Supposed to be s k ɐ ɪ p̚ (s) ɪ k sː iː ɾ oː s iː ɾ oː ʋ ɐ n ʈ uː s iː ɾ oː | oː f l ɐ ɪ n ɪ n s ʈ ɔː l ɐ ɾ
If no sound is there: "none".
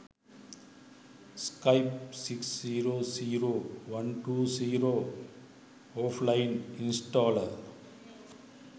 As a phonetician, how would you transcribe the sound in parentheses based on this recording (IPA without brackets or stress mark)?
s